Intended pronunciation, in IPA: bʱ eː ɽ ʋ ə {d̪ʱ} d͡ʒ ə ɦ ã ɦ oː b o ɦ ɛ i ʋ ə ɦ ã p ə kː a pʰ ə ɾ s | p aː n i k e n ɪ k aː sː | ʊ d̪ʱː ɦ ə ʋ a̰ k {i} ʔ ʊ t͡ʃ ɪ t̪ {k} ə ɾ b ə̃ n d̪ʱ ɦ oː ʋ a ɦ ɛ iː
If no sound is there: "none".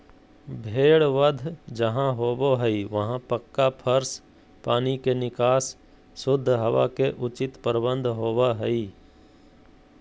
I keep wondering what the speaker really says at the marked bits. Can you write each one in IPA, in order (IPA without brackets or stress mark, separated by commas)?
d̪ʱ, e, p